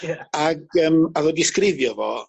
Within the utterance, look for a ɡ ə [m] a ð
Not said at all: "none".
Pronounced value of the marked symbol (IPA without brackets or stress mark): m